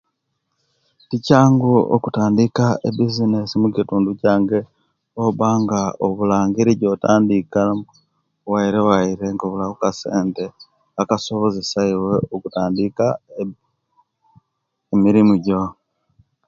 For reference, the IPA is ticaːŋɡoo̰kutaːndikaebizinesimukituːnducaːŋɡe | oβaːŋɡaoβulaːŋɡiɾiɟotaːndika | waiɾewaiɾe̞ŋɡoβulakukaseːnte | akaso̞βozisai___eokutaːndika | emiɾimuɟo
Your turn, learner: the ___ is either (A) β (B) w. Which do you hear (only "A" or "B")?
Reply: B